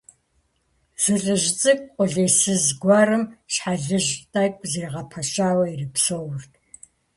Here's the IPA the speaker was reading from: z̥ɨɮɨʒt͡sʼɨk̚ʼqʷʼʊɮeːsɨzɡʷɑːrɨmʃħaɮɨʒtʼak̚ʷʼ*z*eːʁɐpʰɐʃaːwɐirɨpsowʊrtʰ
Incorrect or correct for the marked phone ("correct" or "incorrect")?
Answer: correct